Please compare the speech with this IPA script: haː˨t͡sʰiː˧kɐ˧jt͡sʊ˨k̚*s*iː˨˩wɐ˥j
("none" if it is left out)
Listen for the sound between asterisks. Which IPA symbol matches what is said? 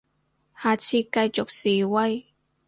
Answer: s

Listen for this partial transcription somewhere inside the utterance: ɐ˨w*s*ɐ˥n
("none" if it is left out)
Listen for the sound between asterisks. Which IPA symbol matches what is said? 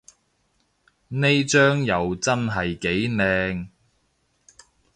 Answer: t͡s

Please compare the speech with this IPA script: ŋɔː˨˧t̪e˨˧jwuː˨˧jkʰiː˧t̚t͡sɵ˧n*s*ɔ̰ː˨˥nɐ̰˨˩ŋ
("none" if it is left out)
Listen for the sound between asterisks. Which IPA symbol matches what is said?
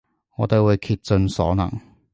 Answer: s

